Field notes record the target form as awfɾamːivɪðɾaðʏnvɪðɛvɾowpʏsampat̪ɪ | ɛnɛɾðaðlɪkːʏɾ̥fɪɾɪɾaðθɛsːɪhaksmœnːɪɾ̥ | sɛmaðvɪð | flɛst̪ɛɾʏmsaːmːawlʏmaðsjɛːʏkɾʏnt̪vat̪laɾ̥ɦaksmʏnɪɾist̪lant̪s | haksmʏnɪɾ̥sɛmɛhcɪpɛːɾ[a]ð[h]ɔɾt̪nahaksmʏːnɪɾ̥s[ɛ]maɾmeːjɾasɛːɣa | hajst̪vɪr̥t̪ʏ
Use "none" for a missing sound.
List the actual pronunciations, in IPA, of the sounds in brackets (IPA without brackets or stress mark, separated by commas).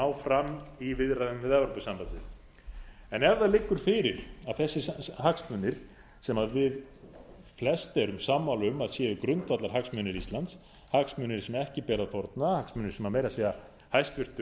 a, f, ɛ